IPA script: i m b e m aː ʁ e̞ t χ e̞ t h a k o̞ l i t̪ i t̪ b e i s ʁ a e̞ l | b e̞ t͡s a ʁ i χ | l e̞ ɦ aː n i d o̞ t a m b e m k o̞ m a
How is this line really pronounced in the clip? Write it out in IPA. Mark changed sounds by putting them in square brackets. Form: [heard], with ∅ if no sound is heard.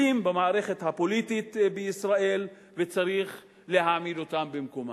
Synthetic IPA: i m b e m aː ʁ e̞ [∅] χ e̞ t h a [p] o̞ l i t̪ i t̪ b e i s ʁ a e̞ l | [v] e̞ t͡s a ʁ i χ | l e̞ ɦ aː [m] i d o̞ t a m b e m k o̞ m a